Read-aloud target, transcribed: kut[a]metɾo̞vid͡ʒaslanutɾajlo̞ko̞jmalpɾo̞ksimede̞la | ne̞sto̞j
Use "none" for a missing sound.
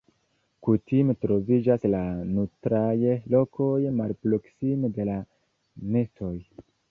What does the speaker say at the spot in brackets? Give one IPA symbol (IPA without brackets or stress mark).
i